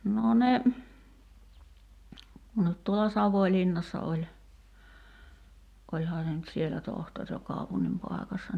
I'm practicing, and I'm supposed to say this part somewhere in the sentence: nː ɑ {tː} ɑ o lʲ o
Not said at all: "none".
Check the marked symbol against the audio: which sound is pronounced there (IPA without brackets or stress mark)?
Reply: sː